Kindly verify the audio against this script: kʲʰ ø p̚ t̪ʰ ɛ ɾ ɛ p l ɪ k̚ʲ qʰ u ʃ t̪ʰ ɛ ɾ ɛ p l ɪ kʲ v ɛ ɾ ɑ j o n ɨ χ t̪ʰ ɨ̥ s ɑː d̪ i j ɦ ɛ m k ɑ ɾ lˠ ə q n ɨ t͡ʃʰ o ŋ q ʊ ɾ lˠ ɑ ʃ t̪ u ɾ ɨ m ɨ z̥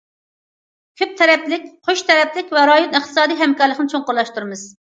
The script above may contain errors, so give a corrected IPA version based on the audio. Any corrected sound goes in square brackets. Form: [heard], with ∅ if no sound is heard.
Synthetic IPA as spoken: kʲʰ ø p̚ t̪ʰ ɛ ɾ ɛ p l ɪ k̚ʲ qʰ [o] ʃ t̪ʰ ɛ ɾ ɛ p l ɪ kʲ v ɛ ɾ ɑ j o n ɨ χ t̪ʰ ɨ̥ s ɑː d̪ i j ɦ ɛ m k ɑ ɾ lˠ ə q n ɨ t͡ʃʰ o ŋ q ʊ ɾ lˠ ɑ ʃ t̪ u ɾ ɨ m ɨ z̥